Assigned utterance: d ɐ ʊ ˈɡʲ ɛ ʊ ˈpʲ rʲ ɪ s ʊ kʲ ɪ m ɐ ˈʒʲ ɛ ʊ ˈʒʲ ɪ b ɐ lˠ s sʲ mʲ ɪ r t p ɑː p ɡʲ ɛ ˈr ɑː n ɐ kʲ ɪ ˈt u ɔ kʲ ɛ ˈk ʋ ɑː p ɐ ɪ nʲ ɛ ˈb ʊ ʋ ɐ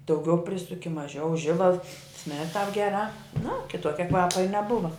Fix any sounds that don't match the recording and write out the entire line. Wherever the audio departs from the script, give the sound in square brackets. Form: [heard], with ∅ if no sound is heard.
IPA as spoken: d ɐ ʊ ˈɡʲ ɛ ʊ ˈpʲ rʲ ɪ s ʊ kʲ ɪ m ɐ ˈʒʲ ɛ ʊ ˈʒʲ ɪ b ɐ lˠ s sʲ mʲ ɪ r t [t] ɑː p ɡʲ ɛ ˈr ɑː n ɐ kʲ ɪ ˈt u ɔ kʲ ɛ ˈk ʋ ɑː p ɐ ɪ nʲ ɛ ˈb ʊ ʋ ɐ